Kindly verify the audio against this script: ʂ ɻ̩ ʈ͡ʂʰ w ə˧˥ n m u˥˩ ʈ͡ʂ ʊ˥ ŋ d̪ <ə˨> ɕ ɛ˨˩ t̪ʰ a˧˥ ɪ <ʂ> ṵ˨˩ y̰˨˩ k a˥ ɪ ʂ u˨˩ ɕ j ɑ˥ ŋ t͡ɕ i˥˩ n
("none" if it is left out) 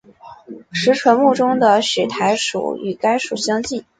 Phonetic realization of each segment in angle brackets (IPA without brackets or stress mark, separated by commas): ə˨, ʂ